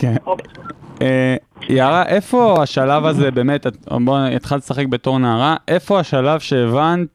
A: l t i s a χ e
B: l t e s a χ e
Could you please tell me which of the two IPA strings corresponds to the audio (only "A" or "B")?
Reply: B